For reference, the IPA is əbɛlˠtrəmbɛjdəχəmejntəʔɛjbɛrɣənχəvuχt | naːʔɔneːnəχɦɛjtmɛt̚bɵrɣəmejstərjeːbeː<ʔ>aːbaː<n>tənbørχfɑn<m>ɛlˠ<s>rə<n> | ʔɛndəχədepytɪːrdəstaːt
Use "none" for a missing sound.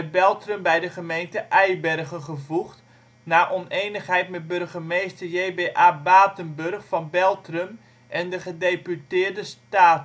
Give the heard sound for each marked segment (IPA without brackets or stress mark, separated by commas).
ʔ, none, b, t, m